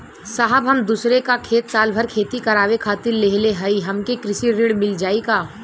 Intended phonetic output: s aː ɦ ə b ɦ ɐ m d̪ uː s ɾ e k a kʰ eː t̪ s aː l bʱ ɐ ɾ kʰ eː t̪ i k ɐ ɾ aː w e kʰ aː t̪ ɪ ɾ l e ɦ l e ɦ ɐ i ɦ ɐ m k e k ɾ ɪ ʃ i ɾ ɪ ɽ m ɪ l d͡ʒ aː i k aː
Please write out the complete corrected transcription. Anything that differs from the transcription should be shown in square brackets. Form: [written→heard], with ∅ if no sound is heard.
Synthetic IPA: s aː ɦ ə b ɦ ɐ m d̪ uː s ɾ e k a kʰ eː t̪ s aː l bʱ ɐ ɾ kʰ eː t̪ i k ɐ ɾ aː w e kʰ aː t̪ ɪ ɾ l e ɦ l e ɦ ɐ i ɦ ɐ m k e k ɾ ɪ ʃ i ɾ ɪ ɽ m ɪ l d͡ʒ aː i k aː